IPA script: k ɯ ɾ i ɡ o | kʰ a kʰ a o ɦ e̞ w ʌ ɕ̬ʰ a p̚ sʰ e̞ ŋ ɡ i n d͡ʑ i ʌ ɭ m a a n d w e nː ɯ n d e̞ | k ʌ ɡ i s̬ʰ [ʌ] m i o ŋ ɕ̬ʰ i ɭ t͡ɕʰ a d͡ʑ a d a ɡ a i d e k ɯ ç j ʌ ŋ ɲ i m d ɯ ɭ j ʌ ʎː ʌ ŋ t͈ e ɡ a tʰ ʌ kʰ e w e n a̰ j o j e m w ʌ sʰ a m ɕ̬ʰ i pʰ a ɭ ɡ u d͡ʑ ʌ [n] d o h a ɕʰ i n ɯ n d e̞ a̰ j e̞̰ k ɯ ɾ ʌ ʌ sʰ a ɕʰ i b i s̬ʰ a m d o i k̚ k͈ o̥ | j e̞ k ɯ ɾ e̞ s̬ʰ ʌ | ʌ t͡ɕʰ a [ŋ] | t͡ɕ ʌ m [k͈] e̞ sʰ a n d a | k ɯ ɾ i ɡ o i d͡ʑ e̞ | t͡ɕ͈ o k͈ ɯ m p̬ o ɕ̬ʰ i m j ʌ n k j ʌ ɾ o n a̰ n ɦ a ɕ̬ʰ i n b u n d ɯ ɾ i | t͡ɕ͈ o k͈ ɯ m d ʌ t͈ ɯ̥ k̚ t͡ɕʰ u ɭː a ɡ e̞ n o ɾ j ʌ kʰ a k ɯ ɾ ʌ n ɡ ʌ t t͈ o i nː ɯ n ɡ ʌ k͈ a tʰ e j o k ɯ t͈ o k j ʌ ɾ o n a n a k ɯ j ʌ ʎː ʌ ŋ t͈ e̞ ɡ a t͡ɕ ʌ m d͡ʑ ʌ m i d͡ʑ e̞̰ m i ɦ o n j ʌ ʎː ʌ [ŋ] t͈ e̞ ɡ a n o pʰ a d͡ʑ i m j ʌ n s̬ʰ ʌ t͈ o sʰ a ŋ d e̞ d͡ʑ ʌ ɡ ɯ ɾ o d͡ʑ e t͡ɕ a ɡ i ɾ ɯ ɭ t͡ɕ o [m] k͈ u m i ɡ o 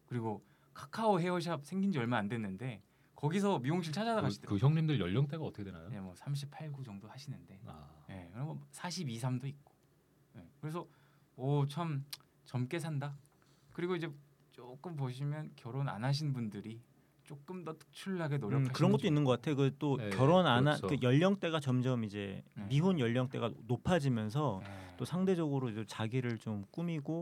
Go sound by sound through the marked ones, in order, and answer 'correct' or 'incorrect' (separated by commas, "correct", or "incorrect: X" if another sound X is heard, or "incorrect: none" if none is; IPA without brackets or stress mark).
correct, incorrect: ŋ, incorrect: m, correct, correct, correct